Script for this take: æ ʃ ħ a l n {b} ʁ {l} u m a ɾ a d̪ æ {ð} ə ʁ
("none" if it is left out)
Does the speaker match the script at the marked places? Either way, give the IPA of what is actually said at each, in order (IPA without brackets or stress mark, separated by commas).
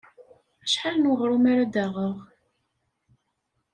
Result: w, ɾ, ʁ